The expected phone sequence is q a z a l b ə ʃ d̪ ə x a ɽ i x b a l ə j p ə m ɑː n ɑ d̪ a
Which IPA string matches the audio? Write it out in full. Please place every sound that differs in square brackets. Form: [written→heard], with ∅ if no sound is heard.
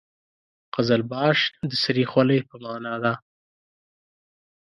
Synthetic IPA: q a z a l b [ə→ɑ] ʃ d̪ ə [x→s] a [ɽ→ɾ] i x [b→w] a l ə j p ə m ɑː n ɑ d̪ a